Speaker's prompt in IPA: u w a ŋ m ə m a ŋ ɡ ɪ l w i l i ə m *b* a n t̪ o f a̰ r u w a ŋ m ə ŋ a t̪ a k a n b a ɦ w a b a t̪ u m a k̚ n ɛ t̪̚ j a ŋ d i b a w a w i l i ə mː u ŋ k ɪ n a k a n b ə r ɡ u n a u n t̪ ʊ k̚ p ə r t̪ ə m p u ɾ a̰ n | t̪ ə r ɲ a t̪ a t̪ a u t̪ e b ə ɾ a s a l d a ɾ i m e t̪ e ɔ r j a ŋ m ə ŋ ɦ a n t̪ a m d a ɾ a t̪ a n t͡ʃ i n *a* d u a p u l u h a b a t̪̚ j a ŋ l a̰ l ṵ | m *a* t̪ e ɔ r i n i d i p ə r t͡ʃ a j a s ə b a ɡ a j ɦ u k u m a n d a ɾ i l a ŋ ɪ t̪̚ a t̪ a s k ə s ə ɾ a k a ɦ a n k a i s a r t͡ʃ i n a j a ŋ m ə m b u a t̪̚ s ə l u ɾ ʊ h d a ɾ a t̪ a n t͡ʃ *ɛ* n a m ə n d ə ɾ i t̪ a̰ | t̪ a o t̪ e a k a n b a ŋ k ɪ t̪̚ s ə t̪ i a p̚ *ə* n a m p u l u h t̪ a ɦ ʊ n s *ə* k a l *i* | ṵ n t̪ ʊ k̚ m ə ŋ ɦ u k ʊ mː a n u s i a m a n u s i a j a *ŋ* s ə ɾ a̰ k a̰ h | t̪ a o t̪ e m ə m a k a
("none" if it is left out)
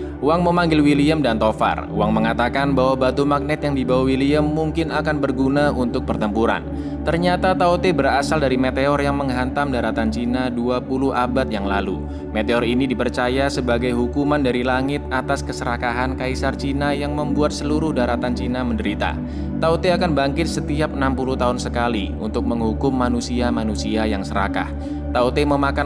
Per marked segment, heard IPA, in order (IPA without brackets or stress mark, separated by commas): d, a, e, i, ə, ə, i, ŋ